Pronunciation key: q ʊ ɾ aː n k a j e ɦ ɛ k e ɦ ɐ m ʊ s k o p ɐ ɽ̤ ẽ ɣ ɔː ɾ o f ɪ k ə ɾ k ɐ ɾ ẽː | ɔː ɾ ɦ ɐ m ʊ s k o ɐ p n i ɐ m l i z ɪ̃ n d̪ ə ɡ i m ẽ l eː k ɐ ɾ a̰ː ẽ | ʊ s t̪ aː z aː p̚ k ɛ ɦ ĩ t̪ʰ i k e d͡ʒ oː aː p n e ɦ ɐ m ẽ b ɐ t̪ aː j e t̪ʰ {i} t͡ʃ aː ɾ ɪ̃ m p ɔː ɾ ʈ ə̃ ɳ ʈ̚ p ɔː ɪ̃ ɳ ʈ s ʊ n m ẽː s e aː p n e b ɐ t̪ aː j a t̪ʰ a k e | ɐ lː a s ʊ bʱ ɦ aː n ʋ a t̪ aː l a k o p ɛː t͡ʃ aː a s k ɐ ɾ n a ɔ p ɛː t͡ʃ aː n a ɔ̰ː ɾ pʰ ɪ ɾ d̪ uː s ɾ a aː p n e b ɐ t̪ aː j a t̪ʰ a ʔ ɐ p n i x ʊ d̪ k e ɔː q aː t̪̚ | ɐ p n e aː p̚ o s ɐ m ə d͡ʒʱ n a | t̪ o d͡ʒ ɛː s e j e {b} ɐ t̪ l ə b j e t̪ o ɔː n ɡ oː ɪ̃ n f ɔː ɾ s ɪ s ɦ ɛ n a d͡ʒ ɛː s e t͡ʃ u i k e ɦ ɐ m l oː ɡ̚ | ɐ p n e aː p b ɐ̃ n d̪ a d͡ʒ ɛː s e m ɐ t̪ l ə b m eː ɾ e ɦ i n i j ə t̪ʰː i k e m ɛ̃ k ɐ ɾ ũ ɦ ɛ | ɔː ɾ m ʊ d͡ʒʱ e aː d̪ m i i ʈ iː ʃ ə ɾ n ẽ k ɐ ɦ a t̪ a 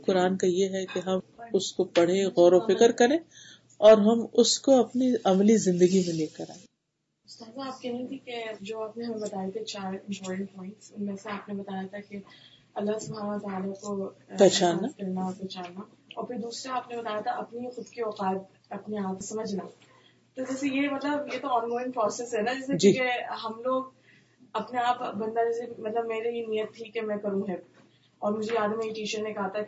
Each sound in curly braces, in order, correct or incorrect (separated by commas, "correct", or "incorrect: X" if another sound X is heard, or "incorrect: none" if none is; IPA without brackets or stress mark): incorrect: e, incorrect: m